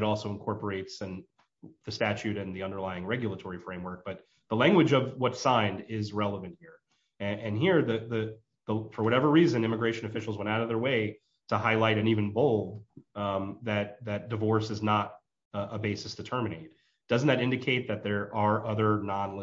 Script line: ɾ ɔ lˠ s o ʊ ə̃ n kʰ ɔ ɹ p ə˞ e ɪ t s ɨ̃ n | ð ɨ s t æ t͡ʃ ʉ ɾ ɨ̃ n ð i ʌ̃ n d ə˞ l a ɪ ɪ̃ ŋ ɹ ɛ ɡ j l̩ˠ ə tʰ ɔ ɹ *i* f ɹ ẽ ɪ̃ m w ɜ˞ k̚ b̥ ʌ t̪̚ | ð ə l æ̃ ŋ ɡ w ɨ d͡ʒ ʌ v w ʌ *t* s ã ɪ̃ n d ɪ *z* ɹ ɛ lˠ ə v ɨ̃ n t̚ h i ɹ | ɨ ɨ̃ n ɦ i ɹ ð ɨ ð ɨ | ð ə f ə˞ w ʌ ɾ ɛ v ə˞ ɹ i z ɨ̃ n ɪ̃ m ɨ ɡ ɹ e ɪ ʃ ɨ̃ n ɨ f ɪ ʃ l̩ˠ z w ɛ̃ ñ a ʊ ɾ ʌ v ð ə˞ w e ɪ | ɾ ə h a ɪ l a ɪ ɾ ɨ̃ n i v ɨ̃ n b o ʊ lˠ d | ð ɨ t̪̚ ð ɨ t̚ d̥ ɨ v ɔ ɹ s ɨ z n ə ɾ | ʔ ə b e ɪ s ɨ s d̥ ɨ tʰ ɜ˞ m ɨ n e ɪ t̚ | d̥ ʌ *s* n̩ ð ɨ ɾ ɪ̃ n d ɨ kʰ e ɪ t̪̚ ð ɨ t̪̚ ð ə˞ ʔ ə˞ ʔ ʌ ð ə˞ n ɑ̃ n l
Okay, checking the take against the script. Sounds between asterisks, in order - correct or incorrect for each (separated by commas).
correct, correct, correct, incorrect